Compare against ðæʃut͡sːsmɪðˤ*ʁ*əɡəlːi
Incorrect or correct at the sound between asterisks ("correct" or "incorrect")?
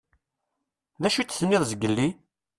incorrect